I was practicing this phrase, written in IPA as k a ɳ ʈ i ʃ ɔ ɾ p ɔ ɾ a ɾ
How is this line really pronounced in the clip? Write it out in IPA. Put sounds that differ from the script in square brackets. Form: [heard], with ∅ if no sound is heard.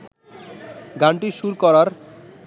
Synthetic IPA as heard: [ɡ] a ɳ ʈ i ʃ [u] ɾ [k] ɔ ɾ a ɾ